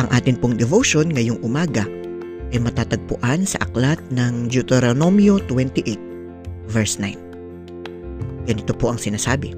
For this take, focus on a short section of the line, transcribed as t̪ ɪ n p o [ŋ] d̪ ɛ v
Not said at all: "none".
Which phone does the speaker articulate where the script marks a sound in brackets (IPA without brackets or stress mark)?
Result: ŋ